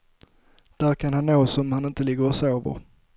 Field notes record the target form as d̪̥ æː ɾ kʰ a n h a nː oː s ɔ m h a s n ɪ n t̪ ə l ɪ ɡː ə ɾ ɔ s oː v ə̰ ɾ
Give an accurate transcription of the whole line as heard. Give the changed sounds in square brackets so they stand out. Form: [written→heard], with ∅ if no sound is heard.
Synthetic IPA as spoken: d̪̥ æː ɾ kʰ a n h a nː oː s ɔ m h a [s→∅] n ɪ n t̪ ə l ɪ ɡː ə ɾ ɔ s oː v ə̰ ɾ